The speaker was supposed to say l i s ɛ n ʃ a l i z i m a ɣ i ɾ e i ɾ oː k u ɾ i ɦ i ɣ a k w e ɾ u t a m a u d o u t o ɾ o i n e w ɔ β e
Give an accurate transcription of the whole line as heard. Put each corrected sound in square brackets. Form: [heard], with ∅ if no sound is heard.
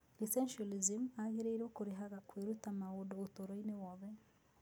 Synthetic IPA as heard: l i s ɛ n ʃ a l i z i m a ɣ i ɾ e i ɾ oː k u ɾ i ɦ [a] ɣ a k w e ɾ u t a m a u d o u t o ɾ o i n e w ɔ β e

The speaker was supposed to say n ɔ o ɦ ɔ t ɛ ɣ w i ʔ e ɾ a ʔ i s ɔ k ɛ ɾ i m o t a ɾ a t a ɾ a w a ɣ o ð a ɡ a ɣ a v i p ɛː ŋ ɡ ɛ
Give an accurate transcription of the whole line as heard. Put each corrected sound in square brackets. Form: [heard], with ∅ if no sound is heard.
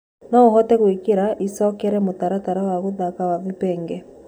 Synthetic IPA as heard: n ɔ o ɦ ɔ t ɛ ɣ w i [k] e ɾ a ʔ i s ɔ k ɛ ɾ [ɛ] m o t a ɾ a t a ɾ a w a ɣ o ð a [k] a [w] a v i p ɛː ŋ ɡ ɛ

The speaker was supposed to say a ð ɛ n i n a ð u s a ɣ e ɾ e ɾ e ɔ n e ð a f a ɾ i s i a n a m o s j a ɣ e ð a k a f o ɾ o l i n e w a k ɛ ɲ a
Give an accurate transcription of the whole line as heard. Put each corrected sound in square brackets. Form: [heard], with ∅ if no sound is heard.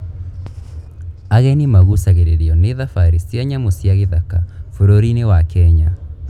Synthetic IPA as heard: a [ɣ] ɛ n i [m] a [ɣ] u s a ɣ e ɾ e ɾ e ɔ n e ð a f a ɾ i s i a [ɲ] a m o s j a ɣ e ð a k a f o ɾ o [ɾ] i n e w a k ɛ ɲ a

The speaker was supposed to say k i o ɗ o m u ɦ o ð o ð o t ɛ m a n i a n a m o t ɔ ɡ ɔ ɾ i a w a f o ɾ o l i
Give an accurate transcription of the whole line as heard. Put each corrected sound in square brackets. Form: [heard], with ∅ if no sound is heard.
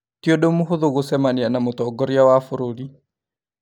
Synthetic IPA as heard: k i o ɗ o m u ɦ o ð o [ɣ] o [s] ɛ m a n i a n a m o t ɔ ɡ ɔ ɾ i a w a f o ɾ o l i

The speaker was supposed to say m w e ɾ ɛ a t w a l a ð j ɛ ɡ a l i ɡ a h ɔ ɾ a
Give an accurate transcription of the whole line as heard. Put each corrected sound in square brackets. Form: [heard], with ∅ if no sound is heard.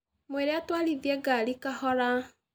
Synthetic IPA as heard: m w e ɾ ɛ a t w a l [i] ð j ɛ ɡ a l i [k] a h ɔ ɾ a

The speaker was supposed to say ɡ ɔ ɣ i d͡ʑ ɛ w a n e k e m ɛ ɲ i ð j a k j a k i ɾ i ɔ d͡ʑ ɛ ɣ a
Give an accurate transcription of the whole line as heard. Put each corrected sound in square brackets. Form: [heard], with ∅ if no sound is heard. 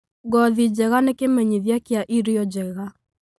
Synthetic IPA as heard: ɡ ɔ [ð] i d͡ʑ ɛ [ɣ] a n e k e m ɛ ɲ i ð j a k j a [ʔ] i ɾ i ɔ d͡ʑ ɛ ɣ a

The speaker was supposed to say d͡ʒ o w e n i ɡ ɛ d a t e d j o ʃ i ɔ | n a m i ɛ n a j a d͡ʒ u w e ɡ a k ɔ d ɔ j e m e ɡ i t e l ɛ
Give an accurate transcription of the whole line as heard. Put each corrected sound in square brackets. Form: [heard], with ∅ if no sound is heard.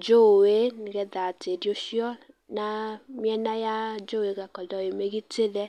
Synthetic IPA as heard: d͡ʒ o w e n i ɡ ɛ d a t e d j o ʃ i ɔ | n a m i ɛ n a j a d͡ʒ [o] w e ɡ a k ɔ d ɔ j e m e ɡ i t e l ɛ

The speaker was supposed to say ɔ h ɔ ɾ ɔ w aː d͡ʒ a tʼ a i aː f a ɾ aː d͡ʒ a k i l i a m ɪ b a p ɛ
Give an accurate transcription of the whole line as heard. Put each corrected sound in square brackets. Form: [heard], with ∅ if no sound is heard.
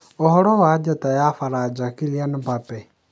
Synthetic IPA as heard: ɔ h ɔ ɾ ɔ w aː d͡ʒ a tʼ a [j] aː f a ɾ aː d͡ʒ a k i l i a [n] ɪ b a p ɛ

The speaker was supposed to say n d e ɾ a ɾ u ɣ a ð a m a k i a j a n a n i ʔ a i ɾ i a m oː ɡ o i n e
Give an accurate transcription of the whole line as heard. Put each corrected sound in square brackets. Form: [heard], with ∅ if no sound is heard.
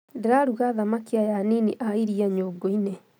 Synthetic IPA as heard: n d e ɾ a ɾ u ɣ a ð a m a k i a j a n [i] n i ʔ a i ɾ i a [ɲ] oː ɡ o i n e

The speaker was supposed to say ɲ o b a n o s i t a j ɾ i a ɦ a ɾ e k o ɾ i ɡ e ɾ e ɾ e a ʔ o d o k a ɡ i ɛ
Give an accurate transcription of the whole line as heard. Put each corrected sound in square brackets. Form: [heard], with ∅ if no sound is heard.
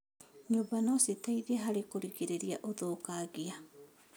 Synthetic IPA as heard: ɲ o b a n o s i t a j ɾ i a ɦ a ɾ e k o ɾ i ɡ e ɾ e ɾ [i] a ʔ o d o k a ɡ i [a]

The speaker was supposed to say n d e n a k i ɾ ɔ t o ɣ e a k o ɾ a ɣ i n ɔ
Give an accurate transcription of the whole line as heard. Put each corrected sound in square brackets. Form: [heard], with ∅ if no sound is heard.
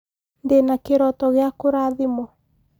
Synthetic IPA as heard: n d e n a k [e] ɾ ɔ t [ɔ] ɣ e a k o ɾ a [ð] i [m] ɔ

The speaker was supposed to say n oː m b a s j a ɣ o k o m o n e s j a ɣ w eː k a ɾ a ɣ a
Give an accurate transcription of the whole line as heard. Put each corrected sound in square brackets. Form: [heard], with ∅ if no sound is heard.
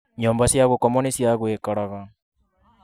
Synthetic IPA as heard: [ɲ] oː m b a s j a ɣ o k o m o n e s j a ɣ w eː k a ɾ a ɣ a

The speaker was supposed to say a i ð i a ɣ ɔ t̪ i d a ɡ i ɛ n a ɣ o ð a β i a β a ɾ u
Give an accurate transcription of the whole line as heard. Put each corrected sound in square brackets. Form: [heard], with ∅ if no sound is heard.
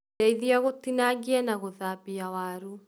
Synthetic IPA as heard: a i ð i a ɣ [o] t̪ i [n] a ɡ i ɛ n a ɣ o ð a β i a [w] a ɾ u

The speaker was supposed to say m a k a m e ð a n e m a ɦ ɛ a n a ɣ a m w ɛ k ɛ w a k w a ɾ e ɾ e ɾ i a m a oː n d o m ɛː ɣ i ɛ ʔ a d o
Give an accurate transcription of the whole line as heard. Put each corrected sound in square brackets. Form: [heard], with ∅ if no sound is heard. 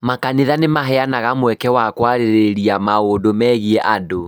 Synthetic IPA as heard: m a k a [n] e ð a n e m a ɦ ɛ a n a ɣ a m w ɛ k ɛ w a k w a ɾ e ɾ e ɾ i a m a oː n d o m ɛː ɣ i ɛ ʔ a d o

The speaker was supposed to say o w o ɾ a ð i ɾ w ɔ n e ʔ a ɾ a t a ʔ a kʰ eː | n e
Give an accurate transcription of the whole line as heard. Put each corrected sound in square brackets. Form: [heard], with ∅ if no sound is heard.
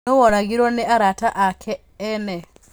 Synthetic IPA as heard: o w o ɾ a [ɣ] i ɾ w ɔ n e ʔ a ɾ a t a ʔ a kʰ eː | n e

